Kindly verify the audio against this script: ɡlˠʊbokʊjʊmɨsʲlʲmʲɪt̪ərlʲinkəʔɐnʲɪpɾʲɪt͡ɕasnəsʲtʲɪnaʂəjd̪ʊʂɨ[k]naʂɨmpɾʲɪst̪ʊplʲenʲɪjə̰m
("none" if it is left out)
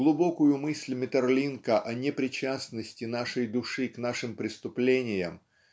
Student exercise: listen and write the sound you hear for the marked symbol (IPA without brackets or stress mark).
k